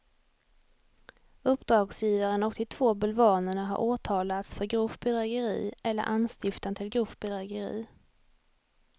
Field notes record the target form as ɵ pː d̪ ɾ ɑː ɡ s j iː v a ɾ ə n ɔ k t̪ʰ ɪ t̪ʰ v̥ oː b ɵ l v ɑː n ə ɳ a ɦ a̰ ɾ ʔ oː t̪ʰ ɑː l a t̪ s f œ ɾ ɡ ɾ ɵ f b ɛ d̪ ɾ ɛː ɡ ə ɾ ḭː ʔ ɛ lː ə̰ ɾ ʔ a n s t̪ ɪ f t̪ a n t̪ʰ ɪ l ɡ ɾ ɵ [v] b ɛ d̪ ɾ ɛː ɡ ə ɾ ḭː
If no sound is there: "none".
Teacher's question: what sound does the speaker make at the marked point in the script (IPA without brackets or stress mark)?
f